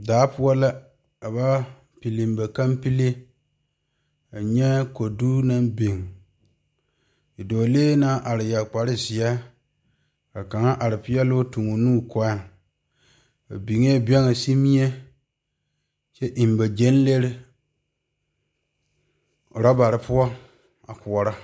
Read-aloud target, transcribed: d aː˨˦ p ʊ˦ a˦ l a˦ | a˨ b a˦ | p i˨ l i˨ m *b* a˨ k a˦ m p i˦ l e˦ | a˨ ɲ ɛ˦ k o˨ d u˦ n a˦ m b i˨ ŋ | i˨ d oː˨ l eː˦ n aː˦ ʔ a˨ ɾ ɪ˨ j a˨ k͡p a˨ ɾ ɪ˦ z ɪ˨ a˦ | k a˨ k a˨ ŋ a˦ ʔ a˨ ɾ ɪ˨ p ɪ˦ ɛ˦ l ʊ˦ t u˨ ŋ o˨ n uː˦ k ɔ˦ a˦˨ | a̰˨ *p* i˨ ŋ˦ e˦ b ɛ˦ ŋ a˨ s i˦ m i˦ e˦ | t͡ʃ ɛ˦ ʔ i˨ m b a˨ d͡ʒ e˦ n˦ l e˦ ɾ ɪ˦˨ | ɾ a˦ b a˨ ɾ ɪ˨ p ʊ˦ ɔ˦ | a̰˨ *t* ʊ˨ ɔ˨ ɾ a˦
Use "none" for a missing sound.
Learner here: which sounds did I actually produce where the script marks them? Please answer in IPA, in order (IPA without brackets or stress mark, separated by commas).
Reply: b, b, k